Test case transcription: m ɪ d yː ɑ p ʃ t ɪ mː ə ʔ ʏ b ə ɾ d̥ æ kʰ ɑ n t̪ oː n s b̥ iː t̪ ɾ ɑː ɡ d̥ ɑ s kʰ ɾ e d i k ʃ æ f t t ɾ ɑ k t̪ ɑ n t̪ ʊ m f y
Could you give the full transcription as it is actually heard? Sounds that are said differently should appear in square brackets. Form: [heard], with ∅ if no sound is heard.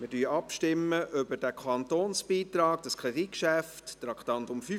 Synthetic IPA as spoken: m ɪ d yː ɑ p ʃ t ɪ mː ə ʔ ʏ b ə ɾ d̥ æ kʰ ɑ n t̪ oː n s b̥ iː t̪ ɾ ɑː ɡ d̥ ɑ s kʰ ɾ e d i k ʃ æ f t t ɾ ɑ k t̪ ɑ n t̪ ʊ m f y